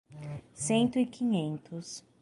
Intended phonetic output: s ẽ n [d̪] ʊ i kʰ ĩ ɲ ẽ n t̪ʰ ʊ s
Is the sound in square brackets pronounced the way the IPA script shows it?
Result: no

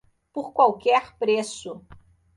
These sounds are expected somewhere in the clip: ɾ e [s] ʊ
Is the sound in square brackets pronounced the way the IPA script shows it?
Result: yes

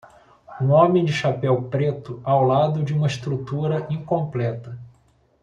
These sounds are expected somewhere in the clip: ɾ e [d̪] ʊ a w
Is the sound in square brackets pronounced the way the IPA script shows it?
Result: no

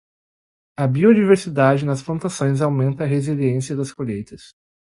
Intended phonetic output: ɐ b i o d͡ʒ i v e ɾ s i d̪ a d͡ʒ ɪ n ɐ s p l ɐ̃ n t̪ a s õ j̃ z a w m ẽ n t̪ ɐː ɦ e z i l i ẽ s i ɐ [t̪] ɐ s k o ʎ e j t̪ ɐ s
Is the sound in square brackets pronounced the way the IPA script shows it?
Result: no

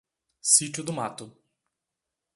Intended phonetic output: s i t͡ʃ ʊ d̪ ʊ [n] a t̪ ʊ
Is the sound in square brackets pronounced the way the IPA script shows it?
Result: no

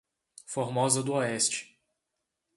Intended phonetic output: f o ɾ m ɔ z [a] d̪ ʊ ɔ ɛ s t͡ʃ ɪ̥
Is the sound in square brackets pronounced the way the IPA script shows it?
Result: no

